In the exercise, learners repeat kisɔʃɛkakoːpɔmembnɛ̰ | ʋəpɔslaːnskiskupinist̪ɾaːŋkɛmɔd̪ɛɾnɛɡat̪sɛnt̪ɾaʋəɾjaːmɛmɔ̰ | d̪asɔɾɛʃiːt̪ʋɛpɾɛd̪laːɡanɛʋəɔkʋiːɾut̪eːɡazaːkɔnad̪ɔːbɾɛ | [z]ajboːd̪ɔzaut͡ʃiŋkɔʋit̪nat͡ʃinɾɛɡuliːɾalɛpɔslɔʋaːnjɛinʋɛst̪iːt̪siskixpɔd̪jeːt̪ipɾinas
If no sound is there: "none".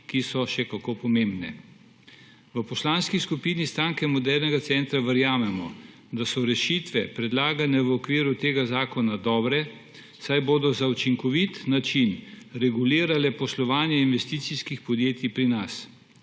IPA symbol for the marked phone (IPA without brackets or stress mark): s